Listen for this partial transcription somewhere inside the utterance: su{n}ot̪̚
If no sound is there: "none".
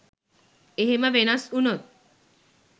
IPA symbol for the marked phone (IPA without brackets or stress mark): n